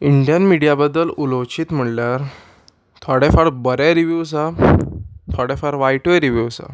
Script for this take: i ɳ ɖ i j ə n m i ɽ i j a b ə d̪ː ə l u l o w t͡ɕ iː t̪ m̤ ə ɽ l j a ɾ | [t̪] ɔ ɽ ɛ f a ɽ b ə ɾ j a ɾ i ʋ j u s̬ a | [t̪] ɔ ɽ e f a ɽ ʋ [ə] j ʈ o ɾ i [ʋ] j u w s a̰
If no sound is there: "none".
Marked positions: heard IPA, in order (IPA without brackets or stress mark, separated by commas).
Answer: t̪ʰ, t̪ʰ, a, ʋ